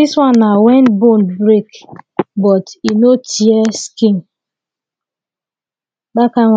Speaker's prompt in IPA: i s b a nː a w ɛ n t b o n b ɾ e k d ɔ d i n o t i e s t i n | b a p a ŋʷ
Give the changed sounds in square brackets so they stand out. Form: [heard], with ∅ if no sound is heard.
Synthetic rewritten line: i s [w] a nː a w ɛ n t b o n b ɾ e k [b] ɔ [t] i n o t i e s [k] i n | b a [k] a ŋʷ